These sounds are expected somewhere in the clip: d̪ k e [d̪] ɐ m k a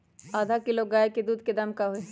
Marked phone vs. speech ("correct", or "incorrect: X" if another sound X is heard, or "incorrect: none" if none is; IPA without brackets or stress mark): correct